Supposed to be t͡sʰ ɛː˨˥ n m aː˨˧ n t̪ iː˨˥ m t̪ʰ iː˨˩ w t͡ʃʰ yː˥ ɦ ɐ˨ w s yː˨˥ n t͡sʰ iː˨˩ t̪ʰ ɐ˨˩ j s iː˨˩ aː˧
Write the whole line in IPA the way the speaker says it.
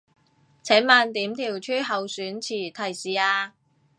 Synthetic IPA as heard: t͡sʰ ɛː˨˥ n m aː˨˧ n t̪ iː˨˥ m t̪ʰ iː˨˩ w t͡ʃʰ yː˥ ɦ ɐ˨ w s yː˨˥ n t͡sʰ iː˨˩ t̪ʰ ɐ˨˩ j s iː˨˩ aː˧